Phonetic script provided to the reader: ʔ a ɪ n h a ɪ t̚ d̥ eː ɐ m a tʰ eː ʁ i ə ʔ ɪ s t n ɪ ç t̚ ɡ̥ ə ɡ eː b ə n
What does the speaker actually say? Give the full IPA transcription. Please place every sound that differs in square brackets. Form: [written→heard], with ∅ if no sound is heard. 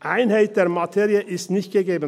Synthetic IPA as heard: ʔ a ɪ n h a ɪ t̚ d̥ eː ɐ m a tʰ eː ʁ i ə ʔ ɪ s t n ɪ ç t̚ ɡ̥ ə ɡ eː b ə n